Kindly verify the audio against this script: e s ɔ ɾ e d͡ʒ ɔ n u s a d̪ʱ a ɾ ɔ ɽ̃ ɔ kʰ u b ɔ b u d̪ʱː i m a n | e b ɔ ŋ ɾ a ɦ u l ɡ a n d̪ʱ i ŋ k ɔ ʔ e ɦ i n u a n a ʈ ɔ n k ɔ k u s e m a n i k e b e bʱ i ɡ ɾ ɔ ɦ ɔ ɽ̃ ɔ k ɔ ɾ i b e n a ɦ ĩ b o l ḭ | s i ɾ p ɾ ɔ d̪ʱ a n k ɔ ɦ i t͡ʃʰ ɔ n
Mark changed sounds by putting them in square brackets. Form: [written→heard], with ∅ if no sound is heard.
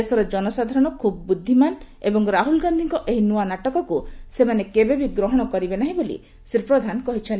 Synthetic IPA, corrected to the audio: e s ɔ ɾ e d͡ʒ ɔ n [u→ɔ] s a d̪ʱ a ɾ ɔ ɽ̃ ɔ kʰ u b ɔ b u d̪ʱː i m a n | e b ɔ ŋ ɾ a ɦ u l ɡ a n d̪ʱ i ŋ k ɔ ʔ e ɦ i n u a n a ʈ ɔ [n→∅] k ɔ k u s e m a n [i→e] k e b e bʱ i ɡ ɾ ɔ ɦ ɔ ɽ̃ ɔ k ɔ ɾ i b e n a ɦ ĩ b o l ḭ | s i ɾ p ɾ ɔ d̪ʱ a n k ɔ ɦ i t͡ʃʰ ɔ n